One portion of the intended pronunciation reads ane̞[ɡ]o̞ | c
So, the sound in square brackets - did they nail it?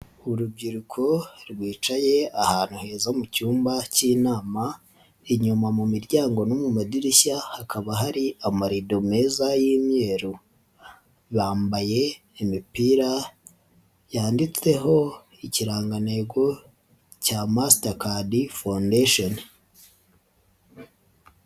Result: yes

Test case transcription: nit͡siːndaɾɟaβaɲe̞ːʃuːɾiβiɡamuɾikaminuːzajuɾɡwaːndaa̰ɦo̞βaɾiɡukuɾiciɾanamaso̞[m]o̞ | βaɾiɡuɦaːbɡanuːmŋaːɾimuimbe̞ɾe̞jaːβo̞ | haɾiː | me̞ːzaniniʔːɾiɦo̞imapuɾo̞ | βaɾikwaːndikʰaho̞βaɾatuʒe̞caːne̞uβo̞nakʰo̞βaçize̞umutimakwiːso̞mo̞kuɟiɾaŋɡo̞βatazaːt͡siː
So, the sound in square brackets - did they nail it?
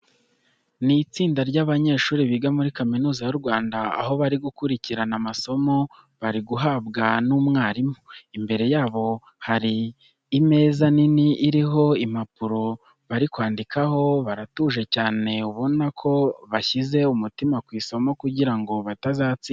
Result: yes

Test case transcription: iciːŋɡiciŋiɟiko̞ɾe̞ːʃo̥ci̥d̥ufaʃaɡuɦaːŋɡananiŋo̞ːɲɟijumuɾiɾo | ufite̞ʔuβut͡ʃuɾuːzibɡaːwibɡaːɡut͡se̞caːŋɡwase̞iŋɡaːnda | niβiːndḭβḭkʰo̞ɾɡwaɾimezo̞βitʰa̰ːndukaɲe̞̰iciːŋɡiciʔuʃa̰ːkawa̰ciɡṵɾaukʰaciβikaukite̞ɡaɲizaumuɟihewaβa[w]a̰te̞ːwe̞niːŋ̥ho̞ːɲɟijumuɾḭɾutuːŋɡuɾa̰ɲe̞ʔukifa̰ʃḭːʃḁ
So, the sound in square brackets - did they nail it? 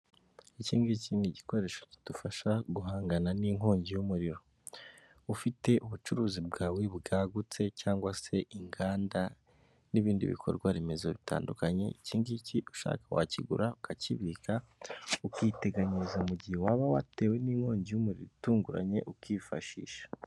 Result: yes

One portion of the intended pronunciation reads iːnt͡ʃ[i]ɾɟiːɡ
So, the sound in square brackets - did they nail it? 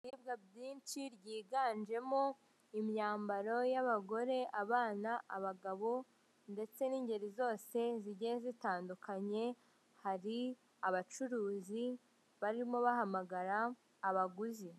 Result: yes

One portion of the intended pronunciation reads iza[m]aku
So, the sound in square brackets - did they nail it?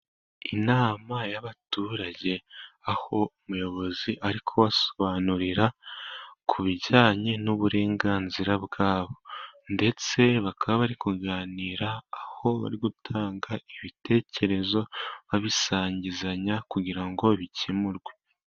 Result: no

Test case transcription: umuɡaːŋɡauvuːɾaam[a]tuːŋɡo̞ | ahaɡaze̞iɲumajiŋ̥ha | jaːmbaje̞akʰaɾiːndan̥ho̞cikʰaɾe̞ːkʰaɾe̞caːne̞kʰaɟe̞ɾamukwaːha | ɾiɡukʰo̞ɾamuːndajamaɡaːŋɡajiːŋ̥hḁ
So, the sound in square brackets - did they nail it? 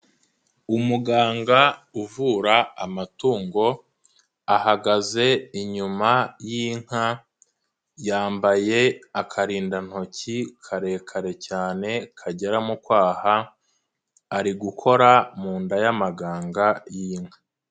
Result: yes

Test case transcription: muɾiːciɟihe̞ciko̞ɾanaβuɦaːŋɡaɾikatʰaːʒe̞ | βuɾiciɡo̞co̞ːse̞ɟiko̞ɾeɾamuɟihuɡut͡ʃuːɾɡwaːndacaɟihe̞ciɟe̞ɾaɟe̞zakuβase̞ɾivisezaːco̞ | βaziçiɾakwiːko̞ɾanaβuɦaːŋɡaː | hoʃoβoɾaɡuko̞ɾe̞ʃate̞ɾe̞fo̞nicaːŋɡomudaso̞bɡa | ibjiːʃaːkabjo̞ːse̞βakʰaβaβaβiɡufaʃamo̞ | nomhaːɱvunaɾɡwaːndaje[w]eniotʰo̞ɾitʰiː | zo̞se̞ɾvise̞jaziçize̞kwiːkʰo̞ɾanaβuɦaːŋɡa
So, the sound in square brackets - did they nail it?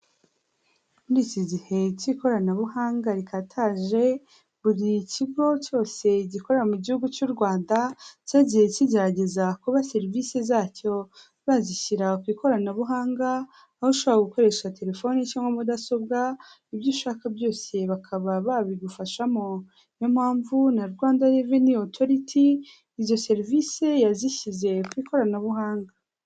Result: no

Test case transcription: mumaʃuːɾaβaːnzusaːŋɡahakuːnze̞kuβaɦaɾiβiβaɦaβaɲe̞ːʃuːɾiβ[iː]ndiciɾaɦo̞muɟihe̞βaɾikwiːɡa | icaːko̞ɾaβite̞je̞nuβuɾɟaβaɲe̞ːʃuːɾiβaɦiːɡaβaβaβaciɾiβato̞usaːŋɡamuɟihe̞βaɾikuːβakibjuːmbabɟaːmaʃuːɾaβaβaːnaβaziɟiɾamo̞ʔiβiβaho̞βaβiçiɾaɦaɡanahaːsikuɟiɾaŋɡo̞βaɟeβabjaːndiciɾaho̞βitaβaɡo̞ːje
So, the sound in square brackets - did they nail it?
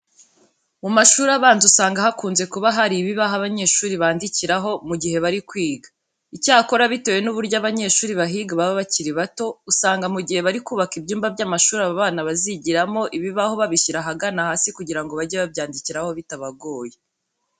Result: no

